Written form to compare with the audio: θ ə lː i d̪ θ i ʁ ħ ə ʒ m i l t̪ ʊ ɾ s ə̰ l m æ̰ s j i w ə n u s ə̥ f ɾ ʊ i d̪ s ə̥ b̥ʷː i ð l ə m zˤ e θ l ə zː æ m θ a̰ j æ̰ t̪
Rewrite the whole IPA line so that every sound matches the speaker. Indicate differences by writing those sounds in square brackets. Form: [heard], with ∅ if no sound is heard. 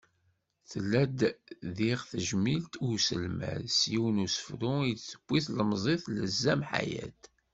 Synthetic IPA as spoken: θ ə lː [æ] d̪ [ð] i ʁ [θ] ə ʒ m i l t̪ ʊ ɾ s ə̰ l m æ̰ s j i w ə n u s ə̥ f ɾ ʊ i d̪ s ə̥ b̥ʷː i [θ] l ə m zˤ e θ l ə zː æ m [ħ] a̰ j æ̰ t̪